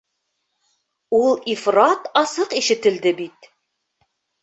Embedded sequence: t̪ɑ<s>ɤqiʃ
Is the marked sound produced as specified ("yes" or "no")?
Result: yes